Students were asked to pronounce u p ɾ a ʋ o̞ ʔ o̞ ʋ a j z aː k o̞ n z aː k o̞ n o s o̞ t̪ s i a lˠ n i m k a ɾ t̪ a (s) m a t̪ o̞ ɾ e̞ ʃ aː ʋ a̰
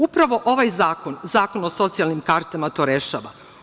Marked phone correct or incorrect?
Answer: incorrect